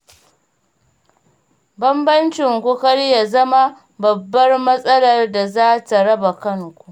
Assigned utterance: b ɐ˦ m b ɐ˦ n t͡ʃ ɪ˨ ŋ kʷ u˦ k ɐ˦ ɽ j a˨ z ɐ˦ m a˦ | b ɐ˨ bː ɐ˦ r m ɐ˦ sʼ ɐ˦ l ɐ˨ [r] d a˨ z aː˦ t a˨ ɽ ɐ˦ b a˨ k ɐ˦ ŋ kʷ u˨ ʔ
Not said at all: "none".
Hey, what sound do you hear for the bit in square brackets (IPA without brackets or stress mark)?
r